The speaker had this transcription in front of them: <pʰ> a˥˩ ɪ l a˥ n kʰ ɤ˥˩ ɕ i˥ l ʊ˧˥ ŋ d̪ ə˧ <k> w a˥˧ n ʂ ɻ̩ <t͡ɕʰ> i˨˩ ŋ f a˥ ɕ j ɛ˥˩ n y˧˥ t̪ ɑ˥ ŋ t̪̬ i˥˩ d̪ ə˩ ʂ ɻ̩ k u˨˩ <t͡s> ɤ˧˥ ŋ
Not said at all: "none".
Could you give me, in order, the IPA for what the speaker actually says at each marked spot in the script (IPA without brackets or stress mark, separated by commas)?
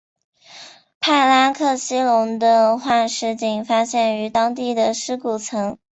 pʰ, x, t͡ɕ, t͡sʰ